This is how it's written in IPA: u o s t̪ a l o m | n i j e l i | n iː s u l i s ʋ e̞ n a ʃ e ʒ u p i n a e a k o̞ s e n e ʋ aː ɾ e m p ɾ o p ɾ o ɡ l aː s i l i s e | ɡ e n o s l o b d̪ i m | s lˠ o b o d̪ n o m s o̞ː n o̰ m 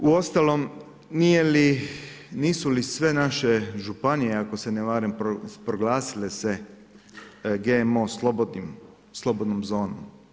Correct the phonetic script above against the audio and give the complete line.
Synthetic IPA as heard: u o s t̪ a l o m | n i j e l i | n iː s u l i s ʋ e̞ n a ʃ e ʒ u p a n i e a k o̞ s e n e ʋ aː ɾ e m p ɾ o p ɾ o ɡ l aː s i l e s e | ɡ e m o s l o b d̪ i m | s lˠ o b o d̪ n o m z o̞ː n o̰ m